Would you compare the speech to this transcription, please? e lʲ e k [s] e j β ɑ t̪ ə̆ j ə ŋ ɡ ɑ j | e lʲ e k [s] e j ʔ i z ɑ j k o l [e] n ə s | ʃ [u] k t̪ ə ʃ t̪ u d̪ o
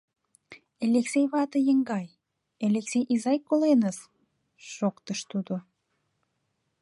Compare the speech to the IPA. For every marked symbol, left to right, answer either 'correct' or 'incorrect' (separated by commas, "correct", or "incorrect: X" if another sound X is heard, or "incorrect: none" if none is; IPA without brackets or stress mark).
correct, correct, correct, incorrect: o